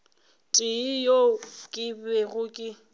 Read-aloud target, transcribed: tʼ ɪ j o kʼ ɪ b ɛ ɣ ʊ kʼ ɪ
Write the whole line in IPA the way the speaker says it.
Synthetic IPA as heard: tʼ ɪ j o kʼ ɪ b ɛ ɣ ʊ kʼ ɪ